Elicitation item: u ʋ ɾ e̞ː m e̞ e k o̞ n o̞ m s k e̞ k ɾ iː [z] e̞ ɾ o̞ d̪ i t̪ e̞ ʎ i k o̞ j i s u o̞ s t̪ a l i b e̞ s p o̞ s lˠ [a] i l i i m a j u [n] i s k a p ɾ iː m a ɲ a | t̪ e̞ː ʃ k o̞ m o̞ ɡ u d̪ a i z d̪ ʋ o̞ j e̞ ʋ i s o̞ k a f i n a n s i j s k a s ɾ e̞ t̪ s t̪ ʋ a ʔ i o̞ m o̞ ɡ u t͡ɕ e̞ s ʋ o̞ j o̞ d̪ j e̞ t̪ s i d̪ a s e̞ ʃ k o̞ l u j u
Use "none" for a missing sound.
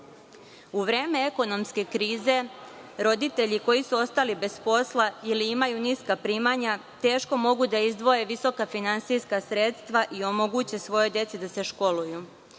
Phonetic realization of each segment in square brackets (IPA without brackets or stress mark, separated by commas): z, a, n